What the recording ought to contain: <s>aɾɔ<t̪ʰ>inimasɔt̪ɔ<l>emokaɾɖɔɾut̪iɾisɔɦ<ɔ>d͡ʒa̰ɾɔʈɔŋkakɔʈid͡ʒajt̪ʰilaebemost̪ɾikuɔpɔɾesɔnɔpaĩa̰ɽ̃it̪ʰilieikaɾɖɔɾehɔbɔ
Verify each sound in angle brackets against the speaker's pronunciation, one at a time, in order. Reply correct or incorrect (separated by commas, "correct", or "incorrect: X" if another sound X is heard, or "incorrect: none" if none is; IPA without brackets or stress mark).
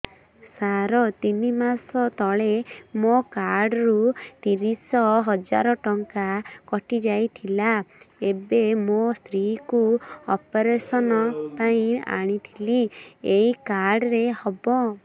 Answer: correct, incorrect: t̪, incorrect: ɭ, correct